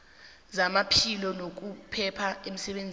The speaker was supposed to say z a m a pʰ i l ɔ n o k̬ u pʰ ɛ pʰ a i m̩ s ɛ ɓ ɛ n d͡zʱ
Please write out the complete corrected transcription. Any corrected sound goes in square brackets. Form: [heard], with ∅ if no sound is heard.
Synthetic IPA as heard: z a m a pʰ i l ɔ n o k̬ u pʰ ɛ pʰ a [e] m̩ s ɛ ɓ [e] n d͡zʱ